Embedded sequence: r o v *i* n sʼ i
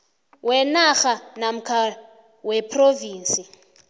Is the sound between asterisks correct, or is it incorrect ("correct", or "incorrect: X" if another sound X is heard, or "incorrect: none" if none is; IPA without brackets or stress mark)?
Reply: incorrect: iː